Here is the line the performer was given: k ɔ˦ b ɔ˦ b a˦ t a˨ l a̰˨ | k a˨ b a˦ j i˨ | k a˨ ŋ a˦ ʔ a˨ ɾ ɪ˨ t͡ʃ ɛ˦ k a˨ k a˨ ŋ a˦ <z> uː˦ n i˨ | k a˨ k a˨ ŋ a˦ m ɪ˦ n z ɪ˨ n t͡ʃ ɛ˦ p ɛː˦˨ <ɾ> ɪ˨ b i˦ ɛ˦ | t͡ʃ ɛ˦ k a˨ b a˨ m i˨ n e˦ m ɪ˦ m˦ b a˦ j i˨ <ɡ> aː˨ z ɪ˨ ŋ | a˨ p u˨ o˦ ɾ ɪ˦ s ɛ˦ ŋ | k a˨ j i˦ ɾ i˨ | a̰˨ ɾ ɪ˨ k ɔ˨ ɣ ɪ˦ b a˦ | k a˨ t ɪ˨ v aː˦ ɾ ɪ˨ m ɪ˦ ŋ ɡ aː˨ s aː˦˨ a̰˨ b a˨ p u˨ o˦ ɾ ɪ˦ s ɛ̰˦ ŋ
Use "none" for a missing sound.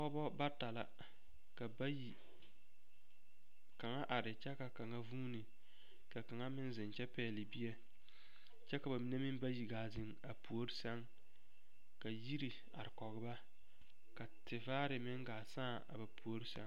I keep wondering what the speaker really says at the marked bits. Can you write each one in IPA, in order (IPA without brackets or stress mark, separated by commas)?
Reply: v, l, ɡ